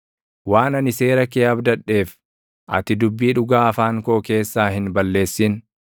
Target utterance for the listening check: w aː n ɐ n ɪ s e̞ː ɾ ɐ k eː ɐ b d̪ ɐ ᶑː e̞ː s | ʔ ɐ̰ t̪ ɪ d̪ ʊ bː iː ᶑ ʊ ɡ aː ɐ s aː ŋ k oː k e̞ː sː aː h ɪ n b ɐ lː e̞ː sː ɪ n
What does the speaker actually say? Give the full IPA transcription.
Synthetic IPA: w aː n ɐ n ɪ s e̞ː ɾ ɐ k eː ɐ b d̪ ɐ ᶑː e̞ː f | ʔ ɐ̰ t̪ ɪ d̪ ʊ bː iː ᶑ ʊ ɡ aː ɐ f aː ŋ k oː k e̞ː sː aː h ɪ n b ɐ lː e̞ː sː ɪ n